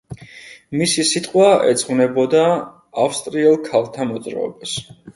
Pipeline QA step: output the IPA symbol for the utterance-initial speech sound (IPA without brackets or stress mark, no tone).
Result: m